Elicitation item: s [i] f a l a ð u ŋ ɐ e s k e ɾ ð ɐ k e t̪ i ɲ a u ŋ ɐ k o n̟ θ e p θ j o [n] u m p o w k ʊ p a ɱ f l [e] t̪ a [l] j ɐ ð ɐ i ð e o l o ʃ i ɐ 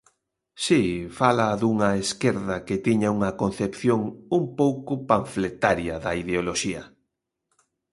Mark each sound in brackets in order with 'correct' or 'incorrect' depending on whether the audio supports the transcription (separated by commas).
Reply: correct, incorrect, correct, incorrect